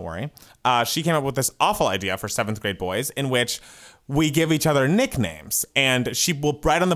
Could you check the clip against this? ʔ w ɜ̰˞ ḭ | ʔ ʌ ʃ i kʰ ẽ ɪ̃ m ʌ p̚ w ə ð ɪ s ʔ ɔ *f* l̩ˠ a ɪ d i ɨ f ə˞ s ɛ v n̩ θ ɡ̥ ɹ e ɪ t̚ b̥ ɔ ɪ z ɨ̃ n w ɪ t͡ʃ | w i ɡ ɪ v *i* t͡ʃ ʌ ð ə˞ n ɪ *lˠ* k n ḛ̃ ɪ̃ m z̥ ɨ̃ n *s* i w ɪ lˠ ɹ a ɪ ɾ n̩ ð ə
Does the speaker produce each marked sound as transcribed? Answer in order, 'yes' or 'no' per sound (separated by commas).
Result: yes, yes, no, no